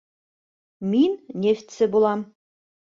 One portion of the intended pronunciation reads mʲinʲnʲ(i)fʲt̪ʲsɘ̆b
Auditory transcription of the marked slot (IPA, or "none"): e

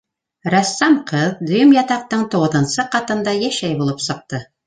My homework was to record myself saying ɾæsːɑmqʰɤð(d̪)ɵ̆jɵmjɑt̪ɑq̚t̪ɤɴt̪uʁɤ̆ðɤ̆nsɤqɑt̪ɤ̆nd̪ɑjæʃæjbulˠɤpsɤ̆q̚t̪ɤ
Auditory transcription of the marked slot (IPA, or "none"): d̪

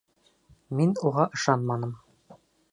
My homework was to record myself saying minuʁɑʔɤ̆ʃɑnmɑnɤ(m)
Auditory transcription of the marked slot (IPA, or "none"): m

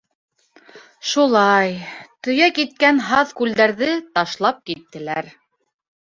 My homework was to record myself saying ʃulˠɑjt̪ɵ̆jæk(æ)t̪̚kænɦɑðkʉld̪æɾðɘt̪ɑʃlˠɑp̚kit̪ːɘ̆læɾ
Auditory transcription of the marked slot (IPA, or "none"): i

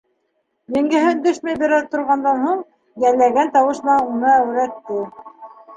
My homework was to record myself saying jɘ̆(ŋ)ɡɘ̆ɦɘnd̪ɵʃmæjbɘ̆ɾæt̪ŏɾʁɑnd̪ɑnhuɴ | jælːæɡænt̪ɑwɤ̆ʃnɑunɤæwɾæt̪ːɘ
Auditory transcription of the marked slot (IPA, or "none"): ŋ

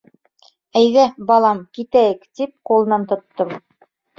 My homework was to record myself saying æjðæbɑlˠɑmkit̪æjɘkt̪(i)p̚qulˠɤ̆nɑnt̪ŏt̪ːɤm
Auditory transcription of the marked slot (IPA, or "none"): i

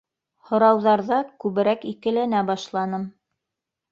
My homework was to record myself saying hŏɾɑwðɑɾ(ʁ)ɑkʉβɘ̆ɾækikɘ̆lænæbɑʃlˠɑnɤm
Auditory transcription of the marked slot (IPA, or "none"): ð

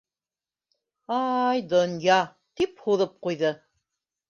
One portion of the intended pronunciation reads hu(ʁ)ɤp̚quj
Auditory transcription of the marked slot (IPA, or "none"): ð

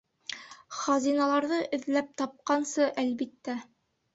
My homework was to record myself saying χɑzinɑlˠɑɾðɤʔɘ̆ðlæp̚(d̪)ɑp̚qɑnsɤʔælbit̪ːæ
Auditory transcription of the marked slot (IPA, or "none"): t̪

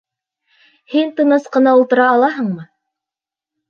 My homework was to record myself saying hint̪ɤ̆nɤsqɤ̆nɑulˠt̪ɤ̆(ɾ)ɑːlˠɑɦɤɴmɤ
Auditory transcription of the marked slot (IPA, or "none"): ɾ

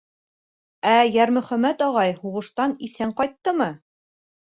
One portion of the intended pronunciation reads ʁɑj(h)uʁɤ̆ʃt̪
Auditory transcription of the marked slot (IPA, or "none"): h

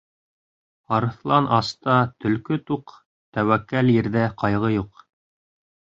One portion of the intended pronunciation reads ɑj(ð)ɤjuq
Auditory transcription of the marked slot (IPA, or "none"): ʁ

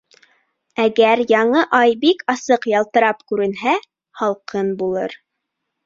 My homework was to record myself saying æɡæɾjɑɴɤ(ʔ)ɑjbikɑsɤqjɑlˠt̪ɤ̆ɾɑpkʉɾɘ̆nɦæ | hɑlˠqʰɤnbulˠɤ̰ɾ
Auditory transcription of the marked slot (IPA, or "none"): ʔ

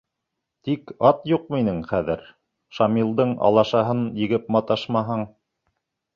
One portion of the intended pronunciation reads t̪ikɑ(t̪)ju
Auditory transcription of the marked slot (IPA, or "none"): t̪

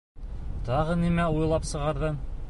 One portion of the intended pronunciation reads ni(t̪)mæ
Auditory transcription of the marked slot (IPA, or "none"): none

